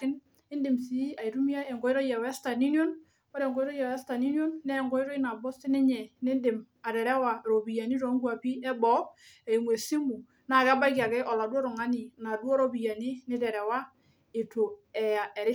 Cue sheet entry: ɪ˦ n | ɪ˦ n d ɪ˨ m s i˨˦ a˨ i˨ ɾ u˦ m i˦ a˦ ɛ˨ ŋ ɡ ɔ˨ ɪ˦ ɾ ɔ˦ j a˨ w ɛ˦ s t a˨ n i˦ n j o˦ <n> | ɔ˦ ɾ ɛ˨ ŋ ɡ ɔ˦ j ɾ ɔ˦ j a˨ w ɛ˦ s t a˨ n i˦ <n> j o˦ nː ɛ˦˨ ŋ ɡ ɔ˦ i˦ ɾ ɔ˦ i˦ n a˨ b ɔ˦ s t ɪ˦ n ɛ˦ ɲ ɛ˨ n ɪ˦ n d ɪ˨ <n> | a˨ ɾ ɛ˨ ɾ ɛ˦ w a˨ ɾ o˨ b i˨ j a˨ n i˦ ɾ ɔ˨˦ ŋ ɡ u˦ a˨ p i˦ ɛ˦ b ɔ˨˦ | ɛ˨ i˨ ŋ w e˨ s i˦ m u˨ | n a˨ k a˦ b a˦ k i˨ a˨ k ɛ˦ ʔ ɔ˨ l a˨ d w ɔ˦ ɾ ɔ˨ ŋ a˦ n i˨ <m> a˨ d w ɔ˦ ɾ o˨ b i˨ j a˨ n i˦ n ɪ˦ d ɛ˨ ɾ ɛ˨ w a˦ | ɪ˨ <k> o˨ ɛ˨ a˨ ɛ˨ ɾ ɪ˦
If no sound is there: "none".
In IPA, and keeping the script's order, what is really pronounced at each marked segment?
n, n, m, n, t

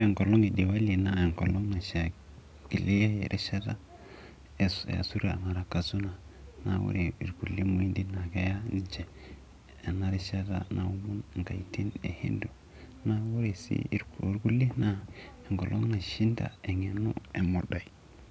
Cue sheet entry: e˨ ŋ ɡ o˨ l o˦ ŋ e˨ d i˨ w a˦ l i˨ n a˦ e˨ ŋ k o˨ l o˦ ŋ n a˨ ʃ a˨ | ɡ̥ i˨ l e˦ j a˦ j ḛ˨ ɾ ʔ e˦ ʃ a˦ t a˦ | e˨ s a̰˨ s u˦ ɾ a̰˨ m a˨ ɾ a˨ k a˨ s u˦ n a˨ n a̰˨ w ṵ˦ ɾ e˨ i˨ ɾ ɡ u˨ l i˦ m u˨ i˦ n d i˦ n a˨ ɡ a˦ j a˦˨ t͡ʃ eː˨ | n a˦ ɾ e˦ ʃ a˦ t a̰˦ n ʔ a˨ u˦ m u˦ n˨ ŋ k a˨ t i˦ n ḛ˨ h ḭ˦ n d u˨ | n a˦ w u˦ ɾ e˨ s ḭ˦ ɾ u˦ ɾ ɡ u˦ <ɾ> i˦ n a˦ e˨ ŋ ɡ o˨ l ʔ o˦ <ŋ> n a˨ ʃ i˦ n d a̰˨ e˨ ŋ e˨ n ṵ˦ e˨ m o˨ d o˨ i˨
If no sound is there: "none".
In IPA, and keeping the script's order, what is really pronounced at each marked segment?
l, ŋ

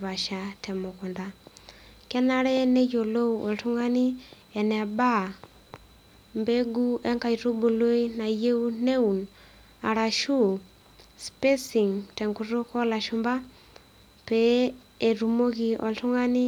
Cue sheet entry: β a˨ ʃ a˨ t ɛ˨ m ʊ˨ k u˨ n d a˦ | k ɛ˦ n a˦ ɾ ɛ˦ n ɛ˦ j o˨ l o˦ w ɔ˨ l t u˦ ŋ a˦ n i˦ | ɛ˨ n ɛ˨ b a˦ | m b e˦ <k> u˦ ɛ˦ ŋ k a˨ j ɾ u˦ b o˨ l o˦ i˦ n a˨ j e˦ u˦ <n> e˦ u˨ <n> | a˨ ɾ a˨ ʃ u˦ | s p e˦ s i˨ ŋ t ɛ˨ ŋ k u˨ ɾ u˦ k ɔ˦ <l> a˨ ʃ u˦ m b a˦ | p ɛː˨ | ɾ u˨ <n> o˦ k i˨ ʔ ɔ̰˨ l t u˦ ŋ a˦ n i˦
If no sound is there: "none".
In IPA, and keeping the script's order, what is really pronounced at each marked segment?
ɡ, n, n, l, m

